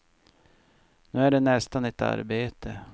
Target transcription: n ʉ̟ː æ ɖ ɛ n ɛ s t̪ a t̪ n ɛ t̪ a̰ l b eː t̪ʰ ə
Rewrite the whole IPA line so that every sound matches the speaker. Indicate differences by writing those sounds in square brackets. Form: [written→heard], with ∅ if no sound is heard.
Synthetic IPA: n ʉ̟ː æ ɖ ɛ n ɛ s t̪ a [t̪→∅] n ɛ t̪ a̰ [l→ɾ] b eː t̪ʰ ə